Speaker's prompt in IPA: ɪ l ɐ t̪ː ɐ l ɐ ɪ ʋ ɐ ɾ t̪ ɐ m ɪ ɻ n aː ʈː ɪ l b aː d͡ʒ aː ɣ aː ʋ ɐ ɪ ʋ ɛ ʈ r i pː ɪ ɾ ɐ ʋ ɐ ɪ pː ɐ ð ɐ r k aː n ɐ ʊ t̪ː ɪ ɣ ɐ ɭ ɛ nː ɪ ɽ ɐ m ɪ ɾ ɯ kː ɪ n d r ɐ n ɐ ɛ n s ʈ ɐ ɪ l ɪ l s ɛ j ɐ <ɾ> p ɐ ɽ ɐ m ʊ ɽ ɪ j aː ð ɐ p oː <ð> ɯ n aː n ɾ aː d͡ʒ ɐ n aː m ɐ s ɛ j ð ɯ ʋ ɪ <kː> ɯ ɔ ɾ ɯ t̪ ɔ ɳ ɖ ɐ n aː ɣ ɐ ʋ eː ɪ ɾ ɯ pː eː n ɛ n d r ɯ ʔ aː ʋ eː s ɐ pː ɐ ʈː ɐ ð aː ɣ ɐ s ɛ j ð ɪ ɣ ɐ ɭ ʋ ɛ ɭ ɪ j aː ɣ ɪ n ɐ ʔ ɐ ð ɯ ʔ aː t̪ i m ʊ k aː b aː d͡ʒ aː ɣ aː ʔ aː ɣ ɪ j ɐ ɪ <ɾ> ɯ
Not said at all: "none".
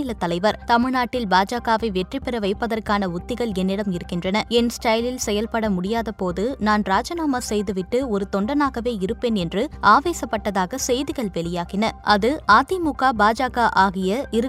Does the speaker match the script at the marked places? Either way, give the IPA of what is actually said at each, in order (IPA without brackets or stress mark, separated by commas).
l, ð, ʈː, ɾ